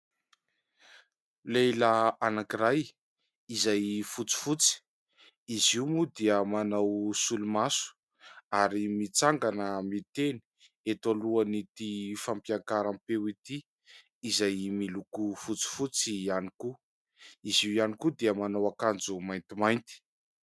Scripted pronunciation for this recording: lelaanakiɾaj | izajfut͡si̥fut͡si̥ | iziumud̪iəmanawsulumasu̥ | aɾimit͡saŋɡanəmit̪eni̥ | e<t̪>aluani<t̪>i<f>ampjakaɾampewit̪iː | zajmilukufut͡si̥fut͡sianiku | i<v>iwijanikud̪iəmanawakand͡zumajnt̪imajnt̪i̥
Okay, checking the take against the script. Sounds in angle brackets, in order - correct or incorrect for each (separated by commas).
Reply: correct, correct, correct, incorrect